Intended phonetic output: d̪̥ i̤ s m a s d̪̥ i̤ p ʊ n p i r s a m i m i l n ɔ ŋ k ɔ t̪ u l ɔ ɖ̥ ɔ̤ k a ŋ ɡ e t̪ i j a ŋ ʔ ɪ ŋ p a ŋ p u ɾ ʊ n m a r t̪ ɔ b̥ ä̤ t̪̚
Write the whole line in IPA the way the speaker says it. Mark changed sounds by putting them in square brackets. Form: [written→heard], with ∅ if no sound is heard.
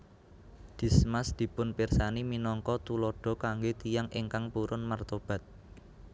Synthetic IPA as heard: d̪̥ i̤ s m a s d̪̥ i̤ p ʊ n p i r s a [m→n] i m i [l→∅] n ɔ ŋ k ɔ t̪ u l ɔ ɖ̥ ɔ̤ k a ŋ ɡ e t̪ i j a ŋ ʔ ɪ ŋ [p→k] a ŋ p u ɾ ʊ n m a r t̪ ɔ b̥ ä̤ t̪̚